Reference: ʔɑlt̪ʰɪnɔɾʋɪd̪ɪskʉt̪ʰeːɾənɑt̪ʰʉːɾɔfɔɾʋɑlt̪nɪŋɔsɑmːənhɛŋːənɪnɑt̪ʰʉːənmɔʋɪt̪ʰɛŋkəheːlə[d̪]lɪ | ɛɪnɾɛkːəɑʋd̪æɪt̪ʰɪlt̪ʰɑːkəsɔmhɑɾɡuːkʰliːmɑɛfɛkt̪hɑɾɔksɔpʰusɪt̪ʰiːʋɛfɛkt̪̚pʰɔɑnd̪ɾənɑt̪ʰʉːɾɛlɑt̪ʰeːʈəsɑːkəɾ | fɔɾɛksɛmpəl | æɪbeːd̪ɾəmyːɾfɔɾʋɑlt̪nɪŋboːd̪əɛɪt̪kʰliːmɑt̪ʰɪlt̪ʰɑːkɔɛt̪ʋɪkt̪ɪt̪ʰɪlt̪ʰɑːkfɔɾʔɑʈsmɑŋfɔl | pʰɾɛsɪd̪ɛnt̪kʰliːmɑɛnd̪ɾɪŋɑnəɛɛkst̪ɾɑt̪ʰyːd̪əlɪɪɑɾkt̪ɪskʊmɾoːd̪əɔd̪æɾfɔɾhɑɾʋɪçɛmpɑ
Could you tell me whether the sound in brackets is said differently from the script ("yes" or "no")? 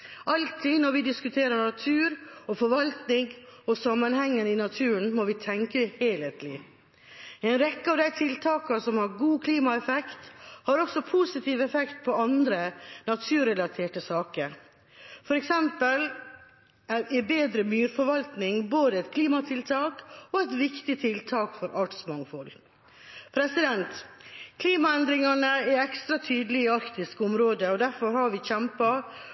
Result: yes